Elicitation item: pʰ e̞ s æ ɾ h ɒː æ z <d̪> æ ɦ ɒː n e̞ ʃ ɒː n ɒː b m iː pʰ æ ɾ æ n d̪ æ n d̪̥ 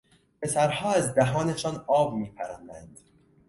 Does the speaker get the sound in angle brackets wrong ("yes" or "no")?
no